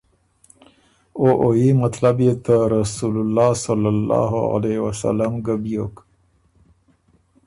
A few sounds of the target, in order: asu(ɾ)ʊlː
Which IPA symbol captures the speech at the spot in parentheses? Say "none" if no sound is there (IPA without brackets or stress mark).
l